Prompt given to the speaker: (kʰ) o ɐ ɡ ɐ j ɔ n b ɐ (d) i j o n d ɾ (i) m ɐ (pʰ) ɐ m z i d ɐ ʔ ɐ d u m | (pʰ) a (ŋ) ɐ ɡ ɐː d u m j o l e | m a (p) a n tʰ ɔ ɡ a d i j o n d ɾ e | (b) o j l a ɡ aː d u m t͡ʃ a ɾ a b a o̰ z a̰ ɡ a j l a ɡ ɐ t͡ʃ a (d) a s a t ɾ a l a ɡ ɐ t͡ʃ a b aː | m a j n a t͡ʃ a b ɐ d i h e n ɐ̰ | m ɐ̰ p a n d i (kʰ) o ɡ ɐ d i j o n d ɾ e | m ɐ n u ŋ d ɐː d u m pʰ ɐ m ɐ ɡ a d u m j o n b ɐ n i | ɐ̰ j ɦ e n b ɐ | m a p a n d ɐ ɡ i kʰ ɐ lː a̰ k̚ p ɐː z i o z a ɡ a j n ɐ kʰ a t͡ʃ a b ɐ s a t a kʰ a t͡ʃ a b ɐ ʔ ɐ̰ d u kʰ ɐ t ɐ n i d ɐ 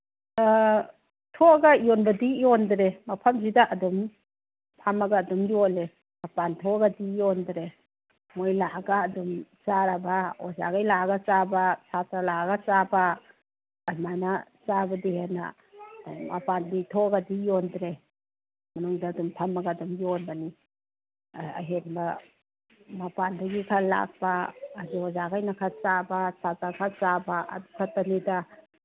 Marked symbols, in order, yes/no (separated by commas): no, yes, no, yes, yes, no, yes, no, no, no